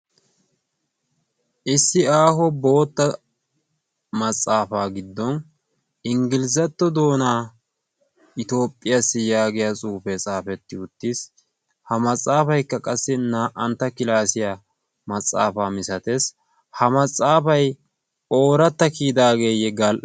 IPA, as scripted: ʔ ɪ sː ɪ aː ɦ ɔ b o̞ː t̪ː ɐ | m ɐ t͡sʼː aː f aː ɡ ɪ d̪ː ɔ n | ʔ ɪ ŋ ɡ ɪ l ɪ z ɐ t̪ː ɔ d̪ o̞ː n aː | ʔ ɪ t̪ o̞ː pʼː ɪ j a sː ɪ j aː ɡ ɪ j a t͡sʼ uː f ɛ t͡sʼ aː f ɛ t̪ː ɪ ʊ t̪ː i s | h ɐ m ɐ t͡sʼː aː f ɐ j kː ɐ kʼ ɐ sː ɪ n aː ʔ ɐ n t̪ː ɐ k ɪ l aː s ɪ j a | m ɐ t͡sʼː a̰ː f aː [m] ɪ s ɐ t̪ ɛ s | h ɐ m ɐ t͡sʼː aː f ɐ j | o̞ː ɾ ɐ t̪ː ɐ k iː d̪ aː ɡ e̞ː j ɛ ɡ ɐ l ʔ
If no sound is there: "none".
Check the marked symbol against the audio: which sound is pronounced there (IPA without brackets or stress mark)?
m